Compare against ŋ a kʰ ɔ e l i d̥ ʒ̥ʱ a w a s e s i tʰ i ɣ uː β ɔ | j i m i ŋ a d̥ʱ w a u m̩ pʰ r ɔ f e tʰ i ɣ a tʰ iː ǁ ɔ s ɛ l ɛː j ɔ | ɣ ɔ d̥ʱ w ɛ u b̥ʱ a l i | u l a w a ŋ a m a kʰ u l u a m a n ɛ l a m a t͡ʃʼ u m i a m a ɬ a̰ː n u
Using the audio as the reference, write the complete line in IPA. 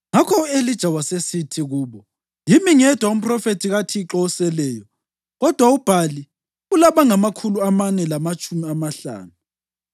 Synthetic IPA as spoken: ŋ a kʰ ɔ e l i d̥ ʒ̥ʱ a w a s e s i tʰ i ɣ uː β ɔ | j i m i ŋ ɛ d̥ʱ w a u m̩ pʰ r ɔ f e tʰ i ɣ a tʰ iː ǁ ɔ s ɛ l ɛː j ɔ | ɣ ɔ d̥ʱ w a u b̥ʱ a l i | u l a β a ŋ a m a kʰ u l u a m a n ɛ l a m a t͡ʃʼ u m i a m a ɬ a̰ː n u